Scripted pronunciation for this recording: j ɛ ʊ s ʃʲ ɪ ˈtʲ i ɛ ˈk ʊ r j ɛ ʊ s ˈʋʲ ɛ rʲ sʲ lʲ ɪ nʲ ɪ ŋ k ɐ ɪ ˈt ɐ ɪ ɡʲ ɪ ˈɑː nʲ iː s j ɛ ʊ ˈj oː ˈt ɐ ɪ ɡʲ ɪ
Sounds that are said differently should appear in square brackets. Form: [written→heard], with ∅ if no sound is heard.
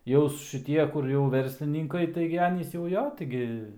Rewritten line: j ɛ ʊ s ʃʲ ɪ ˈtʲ i ɛ ˈk ʊ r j ɛ ʊ [s→∅] ˈʋʲ ɛ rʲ sʲ lʲ ɪ nʲ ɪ ŋ k ɐ ɪ ˈt ɐ ɪ ɡʲ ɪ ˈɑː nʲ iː s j ɛ ʊ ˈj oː ˈt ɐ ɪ ɡʲ ɪ